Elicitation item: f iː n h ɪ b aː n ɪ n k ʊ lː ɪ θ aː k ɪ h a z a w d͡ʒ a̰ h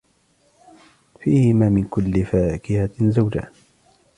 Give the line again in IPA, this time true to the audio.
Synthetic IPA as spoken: f iː h ɪ m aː m ɪ n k ʊ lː ɪ f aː k ɪ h a z a w d͡ʒ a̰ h